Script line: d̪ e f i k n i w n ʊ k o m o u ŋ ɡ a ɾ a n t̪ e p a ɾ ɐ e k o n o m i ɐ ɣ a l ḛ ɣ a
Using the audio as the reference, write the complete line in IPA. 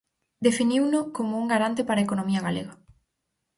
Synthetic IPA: d̪ e f i n i w n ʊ k o m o u ŋ ɡ a ɾ a n t̪ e p a ɾ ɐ e k o n o m i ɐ ɣ a l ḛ ɣ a